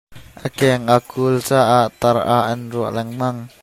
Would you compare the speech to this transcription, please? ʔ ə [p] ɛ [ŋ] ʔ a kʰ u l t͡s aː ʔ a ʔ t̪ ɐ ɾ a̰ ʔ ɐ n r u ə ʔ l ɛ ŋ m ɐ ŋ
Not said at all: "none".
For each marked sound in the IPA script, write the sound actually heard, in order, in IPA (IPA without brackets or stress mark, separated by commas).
k, ŋ